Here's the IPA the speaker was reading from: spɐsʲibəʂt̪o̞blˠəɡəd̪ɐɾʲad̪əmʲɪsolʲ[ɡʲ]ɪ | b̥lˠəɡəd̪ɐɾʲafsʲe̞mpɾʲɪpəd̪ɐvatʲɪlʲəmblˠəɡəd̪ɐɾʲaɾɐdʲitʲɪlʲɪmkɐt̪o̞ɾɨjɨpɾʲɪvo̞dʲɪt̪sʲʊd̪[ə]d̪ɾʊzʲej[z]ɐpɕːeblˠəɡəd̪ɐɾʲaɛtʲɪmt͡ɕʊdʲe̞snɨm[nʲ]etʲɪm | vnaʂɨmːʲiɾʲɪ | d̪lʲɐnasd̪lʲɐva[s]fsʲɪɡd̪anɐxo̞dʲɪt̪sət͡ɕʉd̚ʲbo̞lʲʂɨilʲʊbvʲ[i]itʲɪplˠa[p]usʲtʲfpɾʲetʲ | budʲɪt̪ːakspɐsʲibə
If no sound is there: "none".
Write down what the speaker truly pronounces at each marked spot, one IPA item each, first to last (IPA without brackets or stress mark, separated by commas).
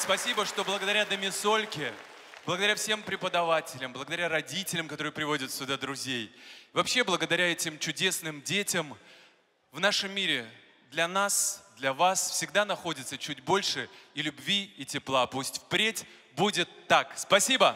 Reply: kʲ, a, v, dʲ, s, i, p